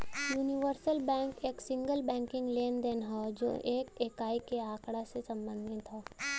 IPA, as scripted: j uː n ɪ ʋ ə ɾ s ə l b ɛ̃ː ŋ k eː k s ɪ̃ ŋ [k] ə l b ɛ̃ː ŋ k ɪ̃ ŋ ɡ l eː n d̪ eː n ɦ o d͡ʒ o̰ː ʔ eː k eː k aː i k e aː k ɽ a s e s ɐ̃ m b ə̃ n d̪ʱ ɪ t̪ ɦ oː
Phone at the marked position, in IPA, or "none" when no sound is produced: ɡ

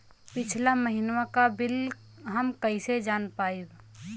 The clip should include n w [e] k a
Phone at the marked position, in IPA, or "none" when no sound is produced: a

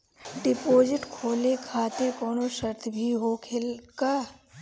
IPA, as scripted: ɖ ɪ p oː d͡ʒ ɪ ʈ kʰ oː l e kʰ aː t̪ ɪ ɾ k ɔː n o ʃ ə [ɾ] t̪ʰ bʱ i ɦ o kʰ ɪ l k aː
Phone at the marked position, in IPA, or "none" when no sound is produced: ɾ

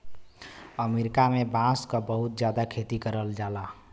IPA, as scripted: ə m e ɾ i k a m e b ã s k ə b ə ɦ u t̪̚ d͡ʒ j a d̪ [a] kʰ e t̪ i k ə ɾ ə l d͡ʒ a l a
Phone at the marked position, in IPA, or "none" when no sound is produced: a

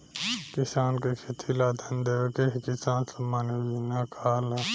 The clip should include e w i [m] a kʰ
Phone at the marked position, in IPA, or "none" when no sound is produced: n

